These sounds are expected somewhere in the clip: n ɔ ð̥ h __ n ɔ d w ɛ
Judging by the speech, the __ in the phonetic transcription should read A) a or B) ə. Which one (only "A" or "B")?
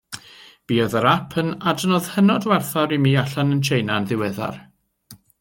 B